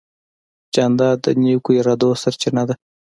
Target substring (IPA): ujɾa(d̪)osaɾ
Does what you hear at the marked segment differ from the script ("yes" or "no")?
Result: no